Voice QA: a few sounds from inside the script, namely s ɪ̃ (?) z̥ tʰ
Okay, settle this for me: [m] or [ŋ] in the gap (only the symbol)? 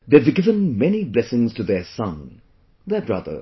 ŋ